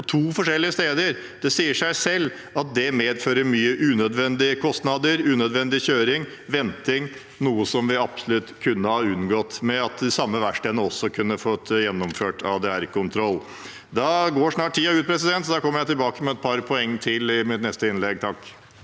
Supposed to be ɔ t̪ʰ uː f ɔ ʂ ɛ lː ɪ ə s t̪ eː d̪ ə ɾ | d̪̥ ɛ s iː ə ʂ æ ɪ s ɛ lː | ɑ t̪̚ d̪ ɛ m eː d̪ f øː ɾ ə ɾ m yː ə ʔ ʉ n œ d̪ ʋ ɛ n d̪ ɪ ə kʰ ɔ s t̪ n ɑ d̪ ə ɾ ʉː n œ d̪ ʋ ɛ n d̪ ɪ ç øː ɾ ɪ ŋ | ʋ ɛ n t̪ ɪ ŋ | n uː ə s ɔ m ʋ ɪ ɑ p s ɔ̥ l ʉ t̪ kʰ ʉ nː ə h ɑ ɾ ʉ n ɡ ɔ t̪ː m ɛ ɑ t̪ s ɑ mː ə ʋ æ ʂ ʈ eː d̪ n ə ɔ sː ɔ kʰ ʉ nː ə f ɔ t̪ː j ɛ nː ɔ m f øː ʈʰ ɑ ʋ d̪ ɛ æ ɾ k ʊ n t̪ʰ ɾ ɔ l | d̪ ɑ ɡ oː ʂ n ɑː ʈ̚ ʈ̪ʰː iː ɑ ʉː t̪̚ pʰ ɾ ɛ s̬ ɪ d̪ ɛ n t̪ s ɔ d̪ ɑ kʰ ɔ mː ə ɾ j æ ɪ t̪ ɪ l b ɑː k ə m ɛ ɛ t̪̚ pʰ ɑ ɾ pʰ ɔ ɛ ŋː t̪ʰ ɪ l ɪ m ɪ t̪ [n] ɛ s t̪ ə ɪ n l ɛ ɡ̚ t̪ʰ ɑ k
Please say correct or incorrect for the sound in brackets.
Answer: correct